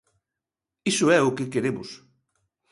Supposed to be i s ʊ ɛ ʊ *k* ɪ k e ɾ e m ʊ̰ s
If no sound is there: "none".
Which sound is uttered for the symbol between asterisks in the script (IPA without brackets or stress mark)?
k